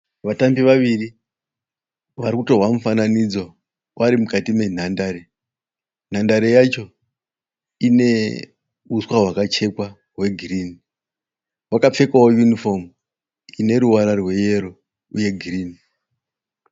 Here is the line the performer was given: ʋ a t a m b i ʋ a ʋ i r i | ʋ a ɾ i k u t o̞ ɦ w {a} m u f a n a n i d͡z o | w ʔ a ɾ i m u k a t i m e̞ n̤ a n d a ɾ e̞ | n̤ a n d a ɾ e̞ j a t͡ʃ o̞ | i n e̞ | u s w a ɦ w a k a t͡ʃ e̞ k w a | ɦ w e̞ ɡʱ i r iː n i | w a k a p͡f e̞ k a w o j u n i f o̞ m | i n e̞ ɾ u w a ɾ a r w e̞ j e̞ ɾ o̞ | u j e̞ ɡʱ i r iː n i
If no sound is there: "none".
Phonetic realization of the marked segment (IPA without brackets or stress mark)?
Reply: a